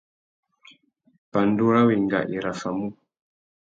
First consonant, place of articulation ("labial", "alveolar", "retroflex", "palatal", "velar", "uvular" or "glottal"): labial